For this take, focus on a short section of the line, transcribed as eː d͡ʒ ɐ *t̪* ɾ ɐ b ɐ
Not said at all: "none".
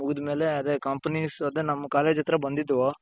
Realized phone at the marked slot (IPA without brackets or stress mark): t̪